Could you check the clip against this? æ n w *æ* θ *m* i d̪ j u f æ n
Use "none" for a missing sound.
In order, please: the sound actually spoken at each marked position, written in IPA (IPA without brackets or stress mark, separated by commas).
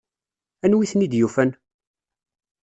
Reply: i, n